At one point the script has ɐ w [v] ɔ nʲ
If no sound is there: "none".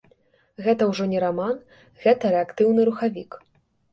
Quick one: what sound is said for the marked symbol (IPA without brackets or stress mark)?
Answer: ʐ